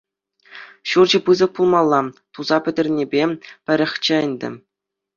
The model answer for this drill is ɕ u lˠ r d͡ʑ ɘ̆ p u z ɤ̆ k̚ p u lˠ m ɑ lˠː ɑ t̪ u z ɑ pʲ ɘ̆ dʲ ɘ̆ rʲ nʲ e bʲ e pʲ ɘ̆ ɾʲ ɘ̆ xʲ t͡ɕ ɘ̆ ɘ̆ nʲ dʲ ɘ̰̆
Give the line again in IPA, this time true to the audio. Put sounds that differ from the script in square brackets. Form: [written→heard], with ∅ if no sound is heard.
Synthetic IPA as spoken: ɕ u [lˠ→∅] r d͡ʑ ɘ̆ p [u→ɯ] z ɤ̆ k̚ p u lˠ m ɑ lˠː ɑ t̪ u z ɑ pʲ ɘ̆ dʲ ɘ̆ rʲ nʲ e bʲ e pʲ ɘ̆ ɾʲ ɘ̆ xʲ t͡ɕ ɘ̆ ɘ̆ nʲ dʲ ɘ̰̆